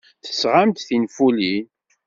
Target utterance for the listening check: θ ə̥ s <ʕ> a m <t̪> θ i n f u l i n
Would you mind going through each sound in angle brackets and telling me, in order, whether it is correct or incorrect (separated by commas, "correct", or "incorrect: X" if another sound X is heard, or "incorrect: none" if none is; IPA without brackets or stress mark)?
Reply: incorrect: ʁ, correct